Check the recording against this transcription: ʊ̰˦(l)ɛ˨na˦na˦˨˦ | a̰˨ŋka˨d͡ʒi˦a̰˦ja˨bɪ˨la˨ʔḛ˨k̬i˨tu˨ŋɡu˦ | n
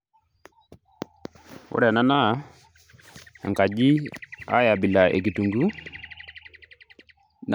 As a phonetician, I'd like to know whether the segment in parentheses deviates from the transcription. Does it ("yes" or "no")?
yes